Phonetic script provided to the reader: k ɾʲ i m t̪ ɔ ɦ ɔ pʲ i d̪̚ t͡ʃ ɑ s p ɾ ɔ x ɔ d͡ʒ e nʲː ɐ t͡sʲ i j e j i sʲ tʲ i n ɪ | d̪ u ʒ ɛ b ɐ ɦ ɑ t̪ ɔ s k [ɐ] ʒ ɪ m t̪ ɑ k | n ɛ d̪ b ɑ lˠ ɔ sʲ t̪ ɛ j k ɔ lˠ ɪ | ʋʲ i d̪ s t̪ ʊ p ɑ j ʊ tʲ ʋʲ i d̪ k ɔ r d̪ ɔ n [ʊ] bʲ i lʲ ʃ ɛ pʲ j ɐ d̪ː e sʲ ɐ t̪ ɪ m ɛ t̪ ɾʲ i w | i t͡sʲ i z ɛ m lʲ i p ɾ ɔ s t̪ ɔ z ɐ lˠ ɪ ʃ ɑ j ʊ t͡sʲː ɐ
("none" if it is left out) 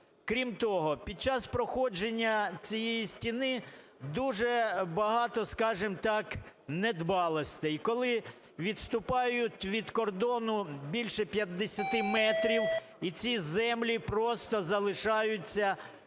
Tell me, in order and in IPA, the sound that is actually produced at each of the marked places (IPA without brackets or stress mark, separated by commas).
ɑ, ʊ